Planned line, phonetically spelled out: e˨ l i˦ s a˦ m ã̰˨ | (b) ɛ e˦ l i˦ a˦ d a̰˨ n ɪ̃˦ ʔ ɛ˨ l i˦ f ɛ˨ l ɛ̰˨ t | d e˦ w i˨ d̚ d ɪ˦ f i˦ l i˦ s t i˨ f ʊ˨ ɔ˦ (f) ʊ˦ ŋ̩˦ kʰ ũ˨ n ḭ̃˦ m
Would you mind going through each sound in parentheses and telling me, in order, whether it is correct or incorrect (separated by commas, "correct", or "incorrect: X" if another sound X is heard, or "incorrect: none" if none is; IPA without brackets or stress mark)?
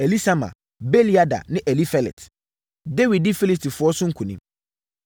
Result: correct, incorrect: s